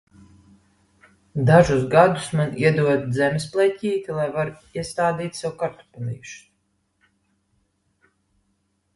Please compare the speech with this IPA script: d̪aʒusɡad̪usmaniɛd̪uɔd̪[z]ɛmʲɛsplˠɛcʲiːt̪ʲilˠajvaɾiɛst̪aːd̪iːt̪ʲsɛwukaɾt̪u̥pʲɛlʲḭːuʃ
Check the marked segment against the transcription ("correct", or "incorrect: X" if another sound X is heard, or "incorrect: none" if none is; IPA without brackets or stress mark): correct